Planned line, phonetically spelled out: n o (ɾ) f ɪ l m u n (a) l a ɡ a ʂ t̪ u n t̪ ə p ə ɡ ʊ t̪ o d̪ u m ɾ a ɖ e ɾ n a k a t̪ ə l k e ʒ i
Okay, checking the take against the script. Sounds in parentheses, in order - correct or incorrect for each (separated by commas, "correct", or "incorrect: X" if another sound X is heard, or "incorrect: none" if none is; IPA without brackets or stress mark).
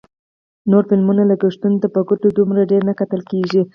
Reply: correct, correct